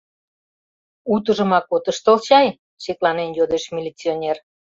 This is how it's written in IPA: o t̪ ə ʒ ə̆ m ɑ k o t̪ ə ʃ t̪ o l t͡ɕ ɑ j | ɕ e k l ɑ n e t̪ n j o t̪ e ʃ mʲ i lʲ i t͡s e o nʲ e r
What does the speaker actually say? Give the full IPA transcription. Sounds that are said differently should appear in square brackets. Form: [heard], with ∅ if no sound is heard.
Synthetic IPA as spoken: [u] t̪ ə ʒ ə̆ m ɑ k o t̪ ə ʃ t̪ o l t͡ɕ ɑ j | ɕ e k l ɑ n e [∅] n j o [d̪] e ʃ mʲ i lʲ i t͡s [i] o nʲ e r

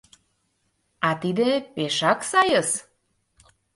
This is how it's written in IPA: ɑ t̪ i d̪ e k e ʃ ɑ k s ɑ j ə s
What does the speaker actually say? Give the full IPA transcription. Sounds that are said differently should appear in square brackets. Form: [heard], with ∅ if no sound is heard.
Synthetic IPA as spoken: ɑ t̪ i d̪ e [p] e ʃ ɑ k s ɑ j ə s

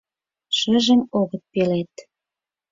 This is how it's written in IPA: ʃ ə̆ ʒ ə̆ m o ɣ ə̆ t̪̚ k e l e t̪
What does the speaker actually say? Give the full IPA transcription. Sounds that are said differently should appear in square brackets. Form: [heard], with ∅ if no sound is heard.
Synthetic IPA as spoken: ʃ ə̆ ʒ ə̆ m o ɣ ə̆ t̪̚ [p] e l e t̪

